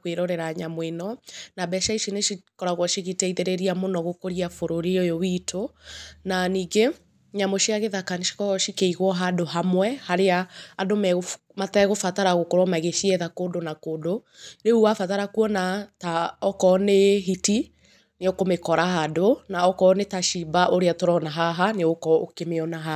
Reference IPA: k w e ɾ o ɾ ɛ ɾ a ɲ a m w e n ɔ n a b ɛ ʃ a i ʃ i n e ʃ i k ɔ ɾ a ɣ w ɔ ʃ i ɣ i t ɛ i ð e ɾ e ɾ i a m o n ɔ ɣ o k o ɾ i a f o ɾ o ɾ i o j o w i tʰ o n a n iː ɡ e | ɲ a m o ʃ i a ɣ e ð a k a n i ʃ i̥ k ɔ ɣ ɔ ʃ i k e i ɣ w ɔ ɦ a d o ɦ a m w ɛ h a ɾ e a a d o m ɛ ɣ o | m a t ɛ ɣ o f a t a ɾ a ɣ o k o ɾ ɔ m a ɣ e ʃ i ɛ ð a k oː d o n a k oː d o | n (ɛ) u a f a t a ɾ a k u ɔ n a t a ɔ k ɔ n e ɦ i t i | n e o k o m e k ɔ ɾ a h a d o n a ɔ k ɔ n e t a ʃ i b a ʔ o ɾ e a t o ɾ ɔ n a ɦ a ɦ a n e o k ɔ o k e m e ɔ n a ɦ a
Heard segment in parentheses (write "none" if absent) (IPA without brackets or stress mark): e